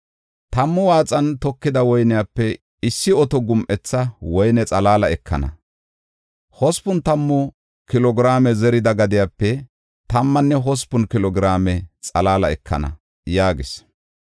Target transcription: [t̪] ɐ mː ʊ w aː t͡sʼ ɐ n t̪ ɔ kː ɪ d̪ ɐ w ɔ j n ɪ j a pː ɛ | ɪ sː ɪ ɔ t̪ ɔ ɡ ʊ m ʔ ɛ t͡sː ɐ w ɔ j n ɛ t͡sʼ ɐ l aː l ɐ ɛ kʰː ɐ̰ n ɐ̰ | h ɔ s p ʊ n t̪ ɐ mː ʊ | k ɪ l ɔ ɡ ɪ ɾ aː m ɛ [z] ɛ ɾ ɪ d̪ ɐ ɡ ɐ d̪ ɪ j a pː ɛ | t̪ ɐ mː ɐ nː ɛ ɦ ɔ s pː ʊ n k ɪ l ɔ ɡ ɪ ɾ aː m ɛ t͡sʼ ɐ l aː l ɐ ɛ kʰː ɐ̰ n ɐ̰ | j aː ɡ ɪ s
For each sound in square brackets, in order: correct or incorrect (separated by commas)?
correct, correct